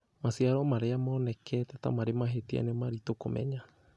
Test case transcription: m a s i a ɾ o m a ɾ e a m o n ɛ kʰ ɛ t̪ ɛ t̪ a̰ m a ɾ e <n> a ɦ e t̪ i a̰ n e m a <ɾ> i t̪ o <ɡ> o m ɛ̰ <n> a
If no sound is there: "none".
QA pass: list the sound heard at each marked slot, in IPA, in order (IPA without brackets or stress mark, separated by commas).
m, ɾ, k, ɲ